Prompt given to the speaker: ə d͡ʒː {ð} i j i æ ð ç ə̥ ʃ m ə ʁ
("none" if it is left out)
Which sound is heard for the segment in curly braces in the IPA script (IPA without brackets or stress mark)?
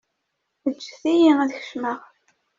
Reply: θ